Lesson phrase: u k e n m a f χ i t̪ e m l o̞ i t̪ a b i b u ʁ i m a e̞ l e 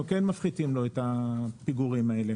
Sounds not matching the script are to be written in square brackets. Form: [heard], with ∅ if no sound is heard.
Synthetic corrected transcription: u k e n m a f χ i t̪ [i] m l o̞ [e] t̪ a [p] i [ɡ] u ʁ i m a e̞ l e